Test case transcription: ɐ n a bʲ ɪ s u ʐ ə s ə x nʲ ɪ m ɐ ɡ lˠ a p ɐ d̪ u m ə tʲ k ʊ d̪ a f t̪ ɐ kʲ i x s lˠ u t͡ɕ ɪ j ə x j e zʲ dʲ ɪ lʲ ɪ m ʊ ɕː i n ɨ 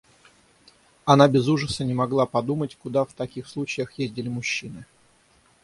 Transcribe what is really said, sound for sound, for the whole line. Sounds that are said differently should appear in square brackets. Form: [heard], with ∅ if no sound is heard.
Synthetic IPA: ɐ n a bʲ ɪ [z] u ʐ ə s ə [∅] nʲ ɪ m ɐ ɡ lˠ a p ɐ d̪ u m ə tʲ k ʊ d̪ a f t̪ ɐ kʲ i x s lˠ u t͡ɕ ɪ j ə x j e zʲ dʲ ɪ lʲ ɪ m ʊ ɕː i n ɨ